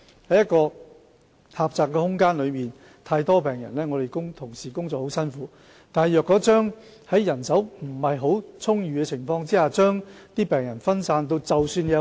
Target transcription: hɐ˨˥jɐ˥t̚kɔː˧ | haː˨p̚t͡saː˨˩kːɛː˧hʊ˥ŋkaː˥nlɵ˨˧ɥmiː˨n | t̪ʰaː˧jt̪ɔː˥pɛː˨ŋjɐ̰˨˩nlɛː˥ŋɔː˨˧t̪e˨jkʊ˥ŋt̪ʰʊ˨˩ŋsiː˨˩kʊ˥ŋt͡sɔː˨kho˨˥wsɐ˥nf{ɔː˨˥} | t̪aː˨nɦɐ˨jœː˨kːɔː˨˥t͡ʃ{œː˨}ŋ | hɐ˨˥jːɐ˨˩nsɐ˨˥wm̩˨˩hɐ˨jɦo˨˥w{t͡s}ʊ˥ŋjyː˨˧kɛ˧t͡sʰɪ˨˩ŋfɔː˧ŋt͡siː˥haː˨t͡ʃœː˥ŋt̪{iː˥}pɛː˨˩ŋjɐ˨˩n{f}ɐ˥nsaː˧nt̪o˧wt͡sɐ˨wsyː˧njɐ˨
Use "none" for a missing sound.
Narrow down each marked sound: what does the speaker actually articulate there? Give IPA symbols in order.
uː˨˥, œː˥, t͡sʰ, iː˥, f

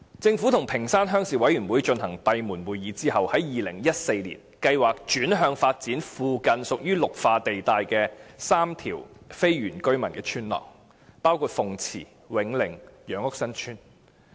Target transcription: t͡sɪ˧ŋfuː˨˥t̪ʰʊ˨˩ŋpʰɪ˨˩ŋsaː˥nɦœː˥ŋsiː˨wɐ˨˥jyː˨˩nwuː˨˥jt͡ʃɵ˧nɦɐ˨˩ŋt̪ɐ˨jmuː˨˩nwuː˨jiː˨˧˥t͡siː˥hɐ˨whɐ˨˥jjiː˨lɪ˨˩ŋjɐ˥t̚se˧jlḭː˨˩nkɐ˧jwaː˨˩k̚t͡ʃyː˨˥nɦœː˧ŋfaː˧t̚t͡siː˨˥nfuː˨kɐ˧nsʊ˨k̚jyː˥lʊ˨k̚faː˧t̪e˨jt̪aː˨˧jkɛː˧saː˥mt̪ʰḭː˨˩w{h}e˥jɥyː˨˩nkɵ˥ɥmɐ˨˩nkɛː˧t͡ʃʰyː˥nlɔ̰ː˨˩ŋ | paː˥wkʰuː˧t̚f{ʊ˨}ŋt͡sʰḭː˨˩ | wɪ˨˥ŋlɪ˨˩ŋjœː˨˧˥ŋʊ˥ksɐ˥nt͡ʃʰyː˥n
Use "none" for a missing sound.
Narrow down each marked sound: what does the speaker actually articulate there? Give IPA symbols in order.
f, ʊ˨

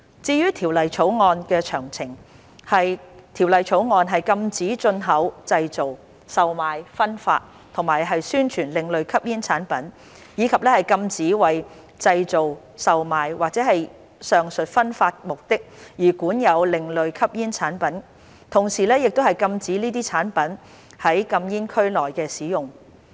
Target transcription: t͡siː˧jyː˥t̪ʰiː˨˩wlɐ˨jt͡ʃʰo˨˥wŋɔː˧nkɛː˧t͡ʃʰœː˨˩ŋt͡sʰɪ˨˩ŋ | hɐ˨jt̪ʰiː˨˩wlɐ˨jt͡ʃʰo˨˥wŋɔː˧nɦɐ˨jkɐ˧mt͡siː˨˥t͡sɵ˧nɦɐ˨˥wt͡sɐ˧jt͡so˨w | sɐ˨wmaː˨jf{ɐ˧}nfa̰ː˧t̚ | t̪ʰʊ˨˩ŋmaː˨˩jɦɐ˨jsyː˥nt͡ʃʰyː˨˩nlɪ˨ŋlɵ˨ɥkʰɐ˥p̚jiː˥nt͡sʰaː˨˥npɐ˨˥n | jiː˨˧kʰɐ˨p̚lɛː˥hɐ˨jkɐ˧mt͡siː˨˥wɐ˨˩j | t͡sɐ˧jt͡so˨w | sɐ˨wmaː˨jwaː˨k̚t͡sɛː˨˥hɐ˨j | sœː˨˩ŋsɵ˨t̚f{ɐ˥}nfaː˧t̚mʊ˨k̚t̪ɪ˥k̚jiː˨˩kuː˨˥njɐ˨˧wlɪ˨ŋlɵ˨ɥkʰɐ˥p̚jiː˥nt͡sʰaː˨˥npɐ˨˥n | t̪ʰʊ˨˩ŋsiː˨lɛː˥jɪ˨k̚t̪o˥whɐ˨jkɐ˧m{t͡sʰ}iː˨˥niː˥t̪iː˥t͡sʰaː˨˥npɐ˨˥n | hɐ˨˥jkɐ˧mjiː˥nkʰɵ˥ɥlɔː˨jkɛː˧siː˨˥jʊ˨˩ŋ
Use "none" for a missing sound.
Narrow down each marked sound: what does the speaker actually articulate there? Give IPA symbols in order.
ɐ˥, ɐ˥, t͡s

